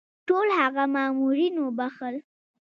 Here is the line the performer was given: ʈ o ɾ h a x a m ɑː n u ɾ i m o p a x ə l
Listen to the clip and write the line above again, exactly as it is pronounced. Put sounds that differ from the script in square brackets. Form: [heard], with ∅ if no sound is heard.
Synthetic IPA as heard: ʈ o [l] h a [ɣ] a m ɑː [m] u ɾ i [n] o [b] a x ə l